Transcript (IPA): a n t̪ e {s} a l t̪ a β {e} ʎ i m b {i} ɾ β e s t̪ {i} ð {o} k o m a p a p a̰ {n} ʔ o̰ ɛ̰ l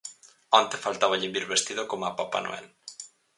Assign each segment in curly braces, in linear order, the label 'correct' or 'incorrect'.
incorrect, incorrect, correct, correct, correct, correct

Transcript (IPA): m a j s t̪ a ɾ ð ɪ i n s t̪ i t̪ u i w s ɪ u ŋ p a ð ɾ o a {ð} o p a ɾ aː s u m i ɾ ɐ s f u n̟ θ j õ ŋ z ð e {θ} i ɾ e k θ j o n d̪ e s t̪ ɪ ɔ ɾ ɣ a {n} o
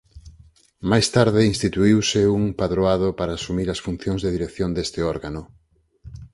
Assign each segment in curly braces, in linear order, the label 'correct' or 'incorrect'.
correct, incorrect, correct

